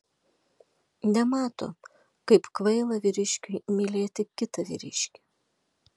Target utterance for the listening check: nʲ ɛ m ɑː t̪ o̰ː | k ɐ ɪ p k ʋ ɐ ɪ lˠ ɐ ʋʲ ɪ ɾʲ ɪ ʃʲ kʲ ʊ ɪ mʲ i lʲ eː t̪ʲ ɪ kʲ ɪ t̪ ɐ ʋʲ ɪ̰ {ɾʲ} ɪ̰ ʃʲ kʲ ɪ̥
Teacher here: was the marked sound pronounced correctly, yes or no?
yes